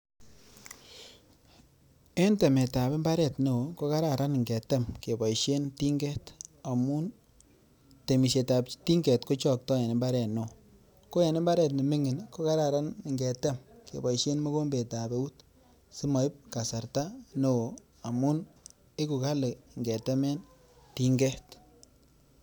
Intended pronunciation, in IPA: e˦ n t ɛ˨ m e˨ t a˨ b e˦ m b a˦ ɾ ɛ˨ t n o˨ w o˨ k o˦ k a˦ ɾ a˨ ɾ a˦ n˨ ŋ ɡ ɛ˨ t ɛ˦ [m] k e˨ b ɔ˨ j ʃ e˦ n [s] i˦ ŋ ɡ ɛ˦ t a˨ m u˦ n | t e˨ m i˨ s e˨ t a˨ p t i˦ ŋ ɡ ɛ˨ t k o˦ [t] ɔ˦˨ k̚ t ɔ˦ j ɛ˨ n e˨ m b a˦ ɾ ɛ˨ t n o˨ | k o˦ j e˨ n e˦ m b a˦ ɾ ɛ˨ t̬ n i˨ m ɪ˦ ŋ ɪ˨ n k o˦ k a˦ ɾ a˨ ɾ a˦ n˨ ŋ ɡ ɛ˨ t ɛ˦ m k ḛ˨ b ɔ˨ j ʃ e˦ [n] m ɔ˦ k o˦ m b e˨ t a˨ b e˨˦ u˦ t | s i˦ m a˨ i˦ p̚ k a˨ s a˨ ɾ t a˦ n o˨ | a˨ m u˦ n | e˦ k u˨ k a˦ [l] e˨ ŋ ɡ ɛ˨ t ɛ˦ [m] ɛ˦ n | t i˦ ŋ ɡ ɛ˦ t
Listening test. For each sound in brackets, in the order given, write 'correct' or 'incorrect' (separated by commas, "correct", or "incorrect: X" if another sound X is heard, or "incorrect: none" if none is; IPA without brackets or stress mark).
correct, incorrect: t, incorrect: t͡ʃ, correct, correct, correct